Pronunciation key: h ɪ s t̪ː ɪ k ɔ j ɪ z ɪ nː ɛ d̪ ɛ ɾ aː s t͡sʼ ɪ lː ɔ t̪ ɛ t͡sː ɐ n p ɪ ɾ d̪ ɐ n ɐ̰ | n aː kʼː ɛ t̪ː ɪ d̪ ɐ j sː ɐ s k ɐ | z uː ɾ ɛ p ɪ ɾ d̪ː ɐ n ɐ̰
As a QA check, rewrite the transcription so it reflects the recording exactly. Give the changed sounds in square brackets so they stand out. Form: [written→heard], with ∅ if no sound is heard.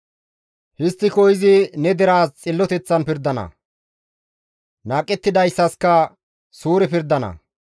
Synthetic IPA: h ɪ s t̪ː ɪ k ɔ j ɪ z ɪ [nː→n] ɛ d̪ ɛ ɾ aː s t͡sʼ ɪ lː ɔ t̪ ɛ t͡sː ɐ n p ɪ ɾ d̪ ɐ n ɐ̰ | n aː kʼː ɛ t̪ː ɪ d̪ ɐ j sː ɐ s k ɐ | [z→s] uː ɾ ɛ p ɪ ɾ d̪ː ɐ n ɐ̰